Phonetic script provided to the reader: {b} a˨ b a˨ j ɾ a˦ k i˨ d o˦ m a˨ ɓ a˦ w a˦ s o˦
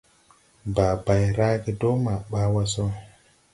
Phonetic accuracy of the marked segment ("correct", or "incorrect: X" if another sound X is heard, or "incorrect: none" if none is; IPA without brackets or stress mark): correct